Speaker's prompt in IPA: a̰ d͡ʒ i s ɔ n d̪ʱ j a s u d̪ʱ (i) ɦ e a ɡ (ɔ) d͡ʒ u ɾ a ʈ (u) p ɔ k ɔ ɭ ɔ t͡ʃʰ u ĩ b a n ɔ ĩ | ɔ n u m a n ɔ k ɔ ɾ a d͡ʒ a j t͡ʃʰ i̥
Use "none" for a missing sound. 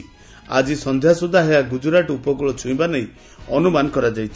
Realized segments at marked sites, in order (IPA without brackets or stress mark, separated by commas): a, u, u